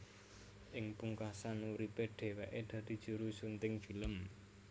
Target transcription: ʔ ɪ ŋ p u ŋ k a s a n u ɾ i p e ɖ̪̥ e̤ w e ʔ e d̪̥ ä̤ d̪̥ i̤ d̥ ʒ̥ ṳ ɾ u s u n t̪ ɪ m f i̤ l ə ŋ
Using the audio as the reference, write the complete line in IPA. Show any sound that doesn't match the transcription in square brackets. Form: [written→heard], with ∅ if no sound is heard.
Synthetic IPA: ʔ ɪ ŋ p u ŋ k a s a n u ɾ i p e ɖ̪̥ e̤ w e ʔ e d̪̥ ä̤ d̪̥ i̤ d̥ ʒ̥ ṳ ɾ u s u n t̪ ɪ [m→ŋ] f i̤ l ə [ŋ→m]